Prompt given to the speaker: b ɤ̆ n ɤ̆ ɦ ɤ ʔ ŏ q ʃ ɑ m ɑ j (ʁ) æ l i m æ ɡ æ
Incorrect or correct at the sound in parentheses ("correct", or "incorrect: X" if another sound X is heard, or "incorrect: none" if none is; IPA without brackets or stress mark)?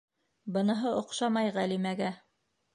correct